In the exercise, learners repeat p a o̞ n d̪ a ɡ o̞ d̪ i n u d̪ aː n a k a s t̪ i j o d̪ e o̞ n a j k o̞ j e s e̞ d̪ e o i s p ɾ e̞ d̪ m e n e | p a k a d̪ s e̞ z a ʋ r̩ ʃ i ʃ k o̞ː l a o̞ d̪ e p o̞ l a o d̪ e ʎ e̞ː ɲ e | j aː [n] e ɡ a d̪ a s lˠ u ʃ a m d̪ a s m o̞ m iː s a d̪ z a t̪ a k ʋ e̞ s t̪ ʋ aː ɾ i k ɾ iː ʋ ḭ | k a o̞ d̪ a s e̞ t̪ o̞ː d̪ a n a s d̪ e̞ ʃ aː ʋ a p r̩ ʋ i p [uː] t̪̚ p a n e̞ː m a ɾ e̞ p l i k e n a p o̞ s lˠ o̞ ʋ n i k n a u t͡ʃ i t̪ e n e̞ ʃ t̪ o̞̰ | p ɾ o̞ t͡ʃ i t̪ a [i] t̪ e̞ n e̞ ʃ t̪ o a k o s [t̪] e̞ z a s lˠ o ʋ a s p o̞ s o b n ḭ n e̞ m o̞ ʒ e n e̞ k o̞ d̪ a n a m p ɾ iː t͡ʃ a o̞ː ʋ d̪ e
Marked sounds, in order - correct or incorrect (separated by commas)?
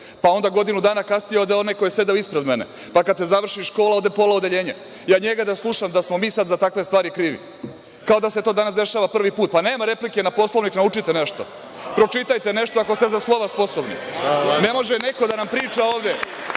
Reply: incorrect, correct, incorrect, correct